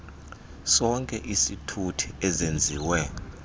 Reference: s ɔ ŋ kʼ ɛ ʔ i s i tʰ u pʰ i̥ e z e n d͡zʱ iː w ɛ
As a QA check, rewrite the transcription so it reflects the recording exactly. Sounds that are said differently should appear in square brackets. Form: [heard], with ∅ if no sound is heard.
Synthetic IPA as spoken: s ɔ ŋ kʼ ɛ ʔ i s i tʰ u [tʰ] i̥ [ɛ] z e n d͡zʱ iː w ɛ